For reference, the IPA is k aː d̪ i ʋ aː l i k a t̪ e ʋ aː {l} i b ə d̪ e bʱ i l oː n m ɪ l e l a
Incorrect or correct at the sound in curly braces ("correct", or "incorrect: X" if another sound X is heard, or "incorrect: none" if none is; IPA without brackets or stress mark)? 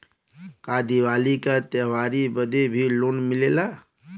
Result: incorrect: ɾ